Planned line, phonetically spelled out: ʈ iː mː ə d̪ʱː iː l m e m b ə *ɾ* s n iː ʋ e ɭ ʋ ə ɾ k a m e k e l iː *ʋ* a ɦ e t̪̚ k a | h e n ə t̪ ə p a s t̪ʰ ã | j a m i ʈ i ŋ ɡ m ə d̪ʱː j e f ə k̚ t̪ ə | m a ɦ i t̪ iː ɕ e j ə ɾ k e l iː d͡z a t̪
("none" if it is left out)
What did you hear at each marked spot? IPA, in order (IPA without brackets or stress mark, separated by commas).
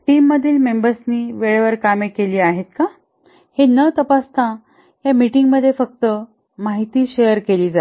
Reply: ɾ, none